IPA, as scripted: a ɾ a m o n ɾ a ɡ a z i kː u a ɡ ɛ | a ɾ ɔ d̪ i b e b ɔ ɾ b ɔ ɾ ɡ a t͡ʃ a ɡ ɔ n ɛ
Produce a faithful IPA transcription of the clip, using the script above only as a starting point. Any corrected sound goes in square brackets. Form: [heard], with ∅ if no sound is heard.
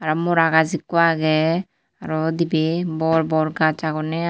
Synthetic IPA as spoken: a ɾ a m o [∅] ɾ a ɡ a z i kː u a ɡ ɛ | a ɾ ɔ d̪ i b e b ɔ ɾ b ɔ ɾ ɡ a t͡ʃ a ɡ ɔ n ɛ